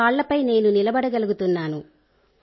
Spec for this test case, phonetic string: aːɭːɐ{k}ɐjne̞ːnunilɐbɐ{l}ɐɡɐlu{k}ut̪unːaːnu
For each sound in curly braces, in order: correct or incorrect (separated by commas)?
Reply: incorrect, incorrect, incorrect